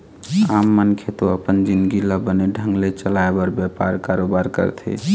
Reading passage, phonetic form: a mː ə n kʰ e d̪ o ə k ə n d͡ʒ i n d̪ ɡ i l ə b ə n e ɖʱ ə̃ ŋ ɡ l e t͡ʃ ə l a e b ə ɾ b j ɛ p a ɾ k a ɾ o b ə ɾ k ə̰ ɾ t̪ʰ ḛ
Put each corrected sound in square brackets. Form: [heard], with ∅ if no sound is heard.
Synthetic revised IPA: a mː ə n kʰ e [t̪] o ə [p] ə n d͡ʒ i n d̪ ɡ i l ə b ə n e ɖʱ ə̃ ŋ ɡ l e t͡ʃ ə l a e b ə ɾ b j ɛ p a ɾ k a ɾ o b [a] ɾ k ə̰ ɾ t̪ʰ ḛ